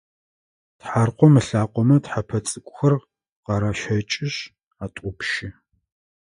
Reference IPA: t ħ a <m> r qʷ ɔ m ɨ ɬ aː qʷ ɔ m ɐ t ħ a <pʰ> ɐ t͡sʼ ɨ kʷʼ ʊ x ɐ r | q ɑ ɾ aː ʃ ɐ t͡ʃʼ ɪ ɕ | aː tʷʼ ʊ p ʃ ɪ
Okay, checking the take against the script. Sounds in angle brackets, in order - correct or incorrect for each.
incorrect: none, correct

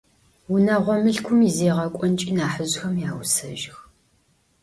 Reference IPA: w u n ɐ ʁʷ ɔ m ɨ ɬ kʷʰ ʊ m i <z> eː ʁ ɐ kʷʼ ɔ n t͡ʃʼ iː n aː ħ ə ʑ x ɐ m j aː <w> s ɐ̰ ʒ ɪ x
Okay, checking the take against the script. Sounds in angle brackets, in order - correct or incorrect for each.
correct, correct

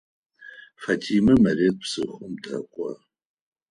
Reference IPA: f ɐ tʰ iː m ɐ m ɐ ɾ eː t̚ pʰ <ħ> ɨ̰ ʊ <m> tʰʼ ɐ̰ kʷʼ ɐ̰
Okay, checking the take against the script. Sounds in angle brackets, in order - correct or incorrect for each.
incorrect: s, correct

